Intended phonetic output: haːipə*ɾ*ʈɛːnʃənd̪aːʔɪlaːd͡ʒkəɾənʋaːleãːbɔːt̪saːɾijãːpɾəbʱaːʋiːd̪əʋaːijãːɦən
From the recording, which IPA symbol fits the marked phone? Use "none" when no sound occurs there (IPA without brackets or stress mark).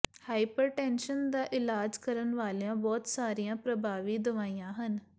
ɾ